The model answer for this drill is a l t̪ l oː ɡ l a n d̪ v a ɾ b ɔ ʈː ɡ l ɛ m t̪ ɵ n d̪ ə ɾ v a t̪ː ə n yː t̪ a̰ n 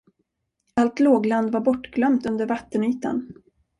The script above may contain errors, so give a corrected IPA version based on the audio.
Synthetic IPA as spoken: a l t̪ l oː ɡ l a n d̪ v a ɾ b ɔ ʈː ɡ l œ m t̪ ɵ n d̪ ə ɾ v a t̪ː ə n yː t̪ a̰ n